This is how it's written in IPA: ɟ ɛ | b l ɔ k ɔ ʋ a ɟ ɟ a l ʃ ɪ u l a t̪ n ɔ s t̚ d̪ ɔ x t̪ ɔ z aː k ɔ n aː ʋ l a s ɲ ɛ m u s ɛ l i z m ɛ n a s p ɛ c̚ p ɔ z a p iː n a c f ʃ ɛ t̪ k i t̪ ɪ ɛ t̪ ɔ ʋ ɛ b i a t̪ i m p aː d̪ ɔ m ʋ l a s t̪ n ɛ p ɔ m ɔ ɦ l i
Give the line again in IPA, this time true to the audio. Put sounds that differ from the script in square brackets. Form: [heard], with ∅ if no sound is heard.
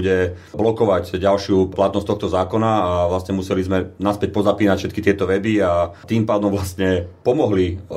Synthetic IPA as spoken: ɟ ɛ | b l ɔ k ɔ ʋ a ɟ ɟ a l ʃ ɪ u l a t̪ n ɔ s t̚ [t̪] ɔ x t̪ ɔ z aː k ɔ n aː ʋ l a s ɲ ɛ m u s ɛ l i z m ɛ n a s p ɛ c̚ p ɔ z a p iː n a c f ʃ ɛ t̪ k i t̪ ɪ ɛ t̪ ɔ ʋ ɛ b i a t̪ [iː] m p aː d̪ ɔ m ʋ l a s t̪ [ɲ] ɛ p ɔ m ɔ ɦ l i